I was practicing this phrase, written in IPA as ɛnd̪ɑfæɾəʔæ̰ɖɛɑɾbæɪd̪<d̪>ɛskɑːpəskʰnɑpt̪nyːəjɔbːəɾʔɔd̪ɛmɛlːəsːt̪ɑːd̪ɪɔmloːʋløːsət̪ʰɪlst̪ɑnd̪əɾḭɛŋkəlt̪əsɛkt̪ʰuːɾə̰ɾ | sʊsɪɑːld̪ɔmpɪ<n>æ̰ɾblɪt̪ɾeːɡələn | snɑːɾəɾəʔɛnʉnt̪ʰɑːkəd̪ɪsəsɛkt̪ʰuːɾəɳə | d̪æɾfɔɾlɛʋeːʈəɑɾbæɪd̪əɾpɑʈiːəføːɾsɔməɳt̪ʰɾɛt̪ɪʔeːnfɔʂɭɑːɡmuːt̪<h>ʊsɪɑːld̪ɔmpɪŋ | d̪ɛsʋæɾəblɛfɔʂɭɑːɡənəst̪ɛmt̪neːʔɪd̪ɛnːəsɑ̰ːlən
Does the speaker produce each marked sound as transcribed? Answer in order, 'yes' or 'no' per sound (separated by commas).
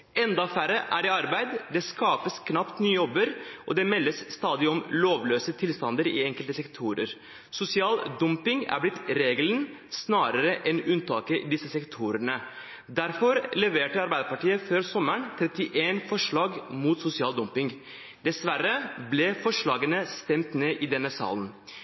yes, no, no